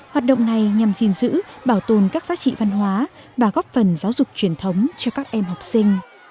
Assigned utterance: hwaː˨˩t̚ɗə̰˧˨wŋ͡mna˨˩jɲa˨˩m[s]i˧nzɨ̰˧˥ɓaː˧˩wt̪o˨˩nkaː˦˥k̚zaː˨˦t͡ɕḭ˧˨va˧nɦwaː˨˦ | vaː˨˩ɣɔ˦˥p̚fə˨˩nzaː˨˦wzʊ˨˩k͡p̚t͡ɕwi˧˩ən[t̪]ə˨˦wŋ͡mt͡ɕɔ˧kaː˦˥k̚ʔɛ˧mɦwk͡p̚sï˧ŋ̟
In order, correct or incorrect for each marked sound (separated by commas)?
incorrect, incorrect